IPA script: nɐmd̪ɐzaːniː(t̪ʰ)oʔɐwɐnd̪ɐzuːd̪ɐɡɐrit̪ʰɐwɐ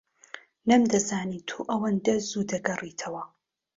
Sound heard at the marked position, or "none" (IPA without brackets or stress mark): t̪ʰ